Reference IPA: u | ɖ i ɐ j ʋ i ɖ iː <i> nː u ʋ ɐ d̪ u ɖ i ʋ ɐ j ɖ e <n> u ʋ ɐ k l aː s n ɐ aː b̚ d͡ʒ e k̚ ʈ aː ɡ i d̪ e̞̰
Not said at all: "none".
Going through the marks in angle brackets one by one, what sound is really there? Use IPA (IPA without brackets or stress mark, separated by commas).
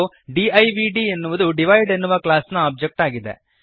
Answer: e, nː